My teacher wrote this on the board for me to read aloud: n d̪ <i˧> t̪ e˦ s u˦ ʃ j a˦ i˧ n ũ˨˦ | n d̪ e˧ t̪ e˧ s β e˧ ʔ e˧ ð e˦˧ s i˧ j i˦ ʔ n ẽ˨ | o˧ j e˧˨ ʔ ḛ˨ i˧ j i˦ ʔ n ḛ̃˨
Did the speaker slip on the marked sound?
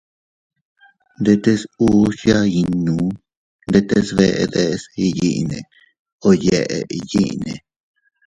yes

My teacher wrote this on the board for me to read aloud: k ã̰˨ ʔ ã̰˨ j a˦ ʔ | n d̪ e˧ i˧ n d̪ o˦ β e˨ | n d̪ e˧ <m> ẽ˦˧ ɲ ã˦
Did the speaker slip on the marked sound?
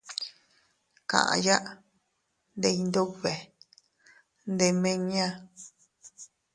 no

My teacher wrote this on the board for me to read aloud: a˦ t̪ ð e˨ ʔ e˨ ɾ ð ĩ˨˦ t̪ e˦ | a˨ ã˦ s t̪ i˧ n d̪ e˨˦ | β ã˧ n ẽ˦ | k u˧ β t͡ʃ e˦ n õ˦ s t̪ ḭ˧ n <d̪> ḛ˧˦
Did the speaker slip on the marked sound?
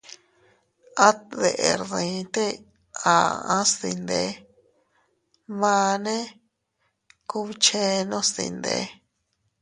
no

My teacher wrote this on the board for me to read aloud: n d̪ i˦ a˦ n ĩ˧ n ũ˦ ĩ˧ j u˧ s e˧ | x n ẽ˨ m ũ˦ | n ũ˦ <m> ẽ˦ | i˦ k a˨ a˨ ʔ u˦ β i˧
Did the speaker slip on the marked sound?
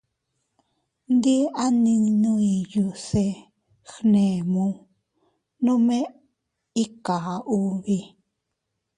no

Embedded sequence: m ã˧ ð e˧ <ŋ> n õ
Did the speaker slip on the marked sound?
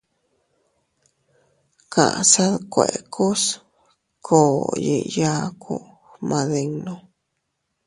no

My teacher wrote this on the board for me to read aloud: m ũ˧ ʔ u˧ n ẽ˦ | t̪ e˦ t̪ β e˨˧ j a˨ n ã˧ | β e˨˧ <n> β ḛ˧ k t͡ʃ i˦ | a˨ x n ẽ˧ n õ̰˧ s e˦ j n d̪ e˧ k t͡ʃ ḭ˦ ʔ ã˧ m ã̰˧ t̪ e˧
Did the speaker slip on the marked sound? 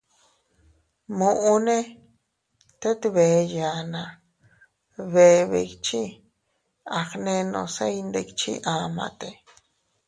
yes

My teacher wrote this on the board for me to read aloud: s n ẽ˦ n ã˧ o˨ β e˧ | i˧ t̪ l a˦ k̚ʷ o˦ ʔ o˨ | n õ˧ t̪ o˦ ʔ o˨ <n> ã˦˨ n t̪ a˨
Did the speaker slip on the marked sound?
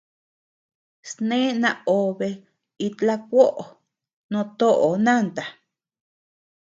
no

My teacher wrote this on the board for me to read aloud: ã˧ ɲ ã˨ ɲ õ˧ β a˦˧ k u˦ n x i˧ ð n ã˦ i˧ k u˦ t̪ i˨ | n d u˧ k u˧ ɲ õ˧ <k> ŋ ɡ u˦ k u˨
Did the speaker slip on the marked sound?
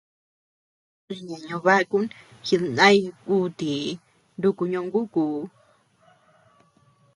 yes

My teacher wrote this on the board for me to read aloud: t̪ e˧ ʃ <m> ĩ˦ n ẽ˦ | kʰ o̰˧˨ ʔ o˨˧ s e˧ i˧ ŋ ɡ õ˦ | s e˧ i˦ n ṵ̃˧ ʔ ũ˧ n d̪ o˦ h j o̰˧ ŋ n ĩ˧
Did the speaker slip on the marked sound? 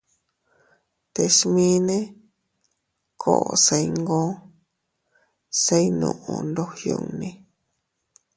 no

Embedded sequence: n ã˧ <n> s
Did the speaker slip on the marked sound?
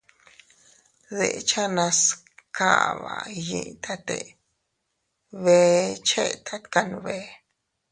yes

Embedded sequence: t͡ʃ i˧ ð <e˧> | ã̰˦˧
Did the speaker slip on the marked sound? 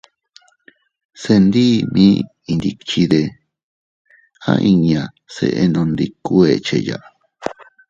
no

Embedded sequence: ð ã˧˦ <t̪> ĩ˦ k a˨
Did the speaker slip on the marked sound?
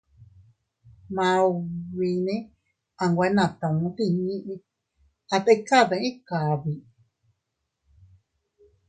yes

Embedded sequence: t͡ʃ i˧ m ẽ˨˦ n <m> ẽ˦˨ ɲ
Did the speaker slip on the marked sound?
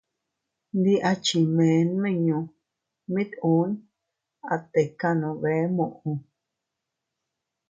no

